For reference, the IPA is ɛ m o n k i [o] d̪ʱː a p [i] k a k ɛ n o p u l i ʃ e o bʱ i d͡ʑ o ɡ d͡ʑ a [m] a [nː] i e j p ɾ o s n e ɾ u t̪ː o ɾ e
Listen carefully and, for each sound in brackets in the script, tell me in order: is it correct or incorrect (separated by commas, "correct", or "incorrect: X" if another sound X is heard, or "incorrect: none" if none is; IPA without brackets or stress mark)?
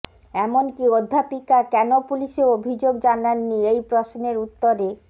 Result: correct, correct, incorrect: n, correct